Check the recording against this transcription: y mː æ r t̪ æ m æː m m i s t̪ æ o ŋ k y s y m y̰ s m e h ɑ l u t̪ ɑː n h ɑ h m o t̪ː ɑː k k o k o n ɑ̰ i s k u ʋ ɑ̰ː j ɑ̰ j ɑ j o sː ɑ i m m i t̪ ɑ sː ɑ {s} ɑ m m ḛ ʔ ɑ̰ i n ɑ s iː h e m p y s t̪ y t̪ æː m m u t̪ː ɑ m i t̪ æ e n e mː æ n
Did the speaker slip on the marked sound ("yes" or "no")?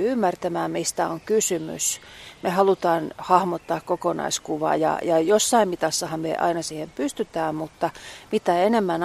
yes